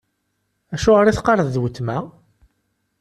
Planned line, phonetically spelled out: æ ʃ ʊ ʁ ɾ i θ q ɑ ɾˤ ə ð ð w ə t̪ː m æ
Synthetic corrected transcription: æ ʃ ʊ ʁ ɾ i θ q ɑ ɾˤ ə ð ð w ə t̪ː m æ